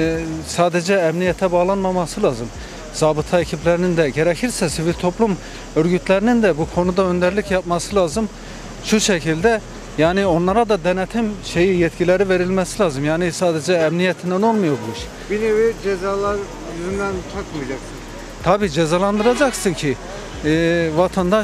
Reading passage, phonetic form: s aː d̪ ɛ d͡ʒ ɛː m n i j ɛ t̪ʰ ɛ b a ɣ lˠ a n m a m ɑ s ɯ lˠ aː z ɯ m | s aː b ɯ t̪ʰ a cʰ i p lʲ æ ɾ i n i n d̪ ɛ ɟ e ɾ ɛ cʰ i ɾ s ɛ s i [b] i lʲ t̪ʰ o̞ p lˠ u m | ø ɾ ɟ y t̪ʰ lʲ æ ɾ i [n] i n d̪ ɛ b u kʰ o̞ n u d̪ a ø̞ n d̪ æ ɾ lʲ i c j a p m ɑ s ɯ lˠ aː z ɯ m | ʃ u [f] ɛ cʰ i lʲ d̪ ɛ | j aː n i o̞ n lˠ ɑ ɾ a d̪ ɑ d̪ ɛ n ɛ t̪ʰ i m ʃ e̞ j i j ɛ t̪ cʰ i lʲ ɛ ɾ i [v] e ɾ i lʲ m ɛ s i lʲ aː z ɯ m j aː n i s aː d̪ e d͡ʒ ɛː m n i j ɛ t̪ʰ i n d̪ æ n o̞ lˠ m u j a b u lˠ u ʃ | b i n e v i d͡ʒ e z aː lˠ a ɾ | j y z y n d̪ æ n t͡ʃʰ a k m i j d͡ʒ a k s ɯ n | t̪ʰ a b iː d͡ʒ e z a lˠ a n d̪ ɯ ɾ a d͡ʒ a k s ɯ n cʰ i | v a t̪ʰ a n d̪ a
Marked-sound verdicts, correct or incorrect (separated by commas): incorrect, correct, incorrect, correct